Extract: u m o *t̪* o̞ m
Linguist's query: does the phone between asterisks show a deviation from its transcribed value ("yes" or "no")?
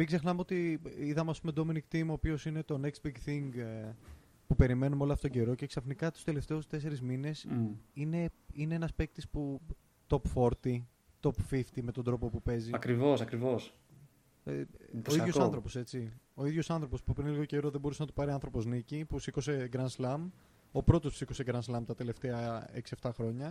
yes